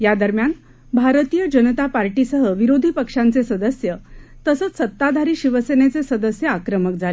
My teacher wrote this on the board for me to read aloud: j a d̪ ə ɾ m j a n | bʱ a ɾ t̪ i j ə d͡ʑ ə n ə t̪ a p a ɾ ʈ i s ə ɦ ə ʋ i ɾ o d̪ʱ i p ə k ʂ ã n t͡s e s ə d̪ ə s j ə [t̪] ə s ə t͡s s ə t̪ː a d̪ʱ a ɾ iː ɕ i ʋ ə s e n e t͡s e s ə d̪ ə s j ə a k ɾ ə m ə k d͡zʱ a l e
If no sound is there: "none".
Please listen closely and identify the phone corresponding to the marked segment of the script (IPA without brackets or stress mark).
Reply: t̪